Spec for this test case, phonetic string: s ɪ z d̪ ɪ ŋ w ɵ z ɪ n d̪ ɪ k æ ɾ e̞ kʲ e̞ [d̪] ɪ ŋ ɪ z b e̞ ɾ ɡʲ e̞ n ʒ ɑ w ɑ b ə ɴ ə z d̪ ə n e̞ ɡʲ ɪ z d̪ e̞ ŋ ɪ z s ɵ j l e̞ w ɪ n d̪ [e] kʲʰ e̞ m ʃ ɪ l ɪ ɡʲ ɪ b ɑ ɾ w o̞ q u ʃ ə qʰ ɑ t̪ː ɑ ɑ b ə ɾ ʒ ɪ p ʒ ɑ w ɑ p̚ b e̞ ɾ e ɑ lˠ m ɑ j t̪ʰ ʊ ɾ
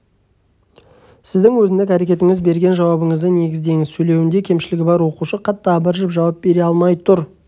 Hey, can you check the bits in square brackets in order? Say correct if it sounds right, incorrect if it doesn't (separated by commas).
incorrect, correct